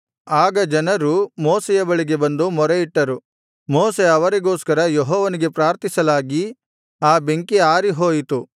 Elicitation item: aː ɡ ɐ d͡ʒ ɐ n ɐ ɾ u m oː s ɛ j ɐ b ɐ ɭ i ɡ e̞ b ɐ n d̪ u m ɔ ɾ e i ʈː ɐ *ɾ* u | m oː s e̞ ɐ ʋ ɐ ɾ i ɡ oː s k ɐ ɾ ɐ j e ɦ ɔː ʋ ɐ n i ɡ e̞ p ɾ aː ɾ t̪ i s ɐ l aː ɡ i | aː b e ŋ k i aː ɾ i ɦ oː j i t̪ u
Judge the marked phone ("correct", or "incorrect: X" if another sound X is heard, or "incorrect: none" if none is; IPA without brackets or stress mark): correct